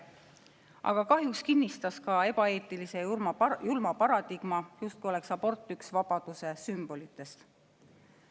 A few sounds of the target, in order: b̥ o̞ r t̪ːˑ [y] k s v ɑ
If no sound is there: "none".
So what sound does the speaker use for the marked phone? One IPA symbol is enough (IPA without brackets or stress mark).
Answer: y